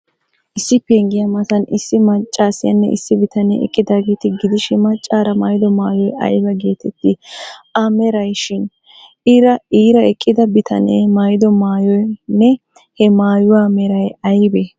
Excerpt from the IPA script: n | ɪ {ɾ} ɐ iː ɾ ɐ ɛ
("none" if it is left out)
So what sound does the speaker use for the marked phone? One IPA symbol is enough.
ɾ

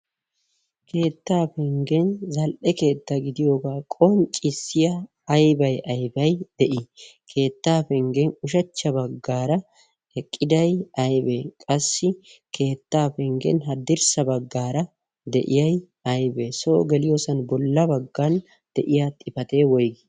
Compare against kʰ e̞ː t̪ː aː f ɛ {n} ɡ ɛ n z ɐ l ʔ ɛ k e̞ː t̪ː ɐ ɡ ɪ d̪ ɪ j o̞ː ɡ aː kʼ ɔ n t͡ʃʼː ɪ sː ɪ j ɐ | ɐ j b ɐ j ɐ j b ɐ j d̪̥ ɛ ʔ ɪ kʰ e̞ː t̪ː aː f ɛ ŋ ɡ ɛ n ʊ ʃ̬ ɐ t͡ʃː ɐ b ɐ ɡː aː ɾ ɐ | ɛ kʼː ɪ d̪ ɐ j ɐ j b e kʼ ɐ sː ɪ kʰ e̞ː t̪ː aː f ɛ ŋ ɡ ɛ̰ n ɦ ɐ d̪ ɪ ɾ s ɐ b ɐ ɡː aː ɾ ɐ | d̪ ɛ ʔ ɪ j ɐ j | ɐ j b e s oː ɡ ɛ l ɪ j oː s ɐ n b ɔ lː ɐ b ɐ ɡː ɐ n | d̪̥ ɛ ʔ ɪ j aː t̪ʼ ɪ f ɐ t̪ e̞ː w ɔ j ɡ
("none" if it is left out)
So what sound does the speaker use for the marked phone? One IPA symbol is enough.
ŋ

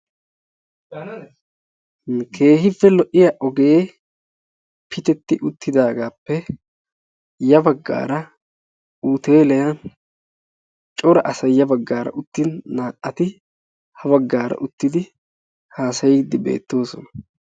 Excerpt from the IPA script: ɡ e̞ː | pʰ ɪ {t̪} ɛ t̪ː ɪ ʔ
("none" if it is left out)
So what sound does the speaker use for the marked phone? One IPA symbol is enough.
t̪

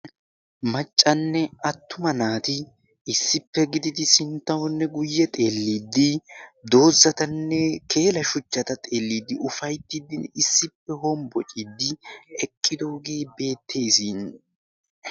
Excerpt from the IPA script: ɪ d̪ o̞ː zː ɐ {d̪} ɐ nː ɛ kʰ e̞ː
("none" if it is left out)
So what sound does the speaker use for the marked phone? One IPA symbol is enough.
t̪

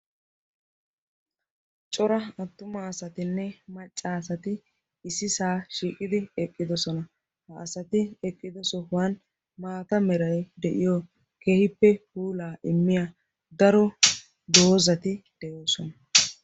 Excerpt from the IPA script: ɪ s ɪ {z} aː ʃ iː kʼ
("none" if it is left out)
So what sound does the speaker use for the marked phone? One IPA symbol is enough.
s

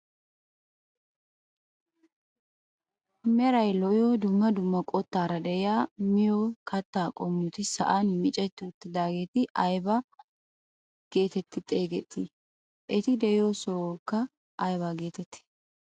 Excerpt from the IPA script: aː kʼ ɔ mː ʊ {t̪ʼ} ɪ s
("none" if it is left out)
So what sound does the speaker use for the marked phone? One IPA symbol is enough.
t̪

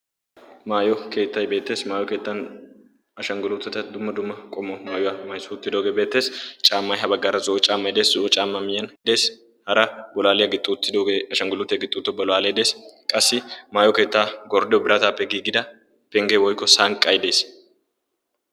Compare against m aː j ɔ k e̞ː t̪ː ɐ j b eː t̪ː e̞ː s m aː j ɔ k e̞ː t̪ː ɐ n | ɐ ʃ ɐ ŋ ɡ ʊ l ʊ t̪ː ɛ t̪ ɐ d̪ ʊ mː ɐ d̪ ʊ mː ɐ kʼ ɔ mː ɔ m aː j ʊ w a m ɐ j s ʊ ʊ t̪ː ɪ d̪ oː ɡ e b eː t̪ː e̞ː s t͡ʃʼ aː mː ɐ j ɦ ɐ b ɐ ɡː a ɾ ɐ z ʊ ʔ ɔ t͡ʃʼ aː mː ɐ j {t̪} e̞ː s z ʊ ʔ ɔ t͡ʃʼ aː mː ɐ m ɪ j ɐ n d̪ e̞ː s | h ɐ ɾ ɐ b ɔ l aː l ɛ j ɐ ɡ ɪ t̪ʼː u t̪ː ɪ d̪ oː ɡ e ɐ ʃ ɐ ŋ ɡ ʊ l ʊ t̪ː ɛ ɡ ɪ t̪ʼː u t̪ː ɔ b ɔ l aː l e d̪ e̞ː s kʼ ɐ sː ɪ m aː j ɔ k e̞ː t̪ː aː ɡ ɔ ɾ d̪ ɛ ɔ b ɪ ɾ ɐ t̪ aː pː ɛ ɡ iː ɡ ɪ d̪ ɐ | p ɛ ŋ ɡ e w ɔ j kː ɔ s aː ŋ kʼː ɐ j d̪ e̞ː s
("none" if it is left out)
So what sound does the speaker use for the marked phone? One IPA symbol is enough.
d̪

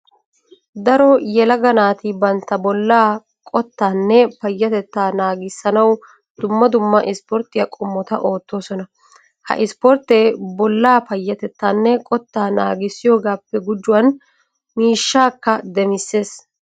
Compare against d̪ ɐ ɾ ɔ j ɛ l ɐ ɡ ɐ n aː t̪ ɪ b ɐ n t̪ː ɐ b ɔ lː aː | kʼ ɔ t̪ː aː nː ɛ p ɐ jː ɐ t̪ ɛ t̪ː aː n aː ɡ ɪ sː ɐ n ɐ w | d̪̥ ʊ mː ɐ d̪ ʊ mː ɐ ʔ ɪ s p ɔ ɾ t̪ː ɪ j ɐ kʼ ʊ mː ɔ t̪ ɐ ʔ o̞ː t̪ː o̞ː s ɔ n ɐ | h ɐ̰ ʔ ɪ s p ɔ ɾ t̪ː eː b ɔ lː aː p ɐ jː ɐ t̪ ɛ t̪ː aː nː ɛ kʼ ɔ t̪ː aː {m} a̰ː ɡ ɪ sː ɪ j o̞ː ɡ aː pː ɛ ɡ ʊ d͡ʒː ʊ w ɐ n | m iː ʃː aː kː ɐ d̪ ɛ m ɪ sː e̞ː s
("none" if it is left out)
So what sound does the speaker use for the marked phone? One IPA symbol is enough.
n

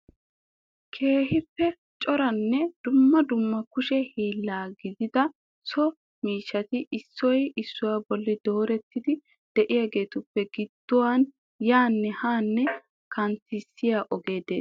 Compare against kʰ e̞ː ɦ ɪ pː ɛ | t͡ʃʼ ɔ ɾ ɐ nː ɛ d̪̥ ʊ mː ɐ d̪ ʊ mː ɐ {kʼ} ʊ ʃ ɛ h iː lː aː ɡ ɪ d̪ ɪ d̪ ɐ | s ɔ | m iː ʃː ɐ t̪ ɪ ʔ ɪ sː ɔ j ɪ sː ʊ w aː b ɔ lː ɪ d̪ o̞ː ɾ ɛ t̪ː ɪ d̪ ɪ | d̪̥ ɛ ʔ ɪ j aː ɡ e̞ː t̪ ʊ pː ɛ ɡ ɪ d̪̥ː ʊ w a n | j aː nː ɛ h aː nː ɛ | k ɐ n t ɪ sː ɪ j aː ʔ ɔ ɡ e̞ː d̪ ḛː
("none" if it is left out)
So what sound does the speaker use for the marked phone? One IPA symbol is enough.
k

